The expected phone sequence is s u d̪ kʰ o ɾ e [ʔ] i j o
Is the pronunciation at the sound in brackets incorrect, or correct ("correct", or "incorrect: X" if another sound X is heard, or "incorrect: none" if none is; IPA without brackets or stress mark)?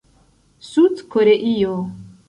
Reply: correct